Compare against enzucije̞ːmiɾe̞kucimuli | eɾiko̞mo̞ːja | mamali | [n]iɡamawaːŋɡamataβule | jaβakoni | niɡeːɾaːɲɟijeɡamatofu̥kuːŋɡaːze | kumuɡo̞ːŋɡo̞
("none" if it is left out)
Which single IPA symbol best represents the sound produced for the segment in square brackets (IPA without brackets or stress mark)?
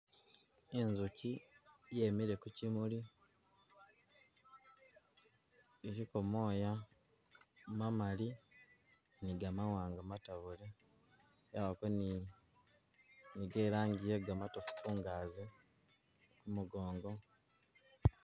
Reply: n